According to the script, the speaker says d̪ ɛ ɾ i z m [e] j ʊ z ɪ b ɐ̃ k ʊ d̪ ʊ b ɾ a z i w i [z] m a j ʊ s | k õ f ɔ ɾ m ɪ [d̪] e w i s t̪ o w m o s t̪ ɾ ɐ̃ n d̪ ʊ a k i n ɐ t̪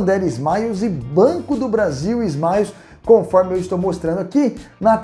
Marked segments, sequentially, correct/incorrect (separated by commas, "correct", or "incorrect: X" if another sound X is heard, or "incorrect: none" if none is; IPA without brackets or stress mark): incorrect: a, correct, incorrect: none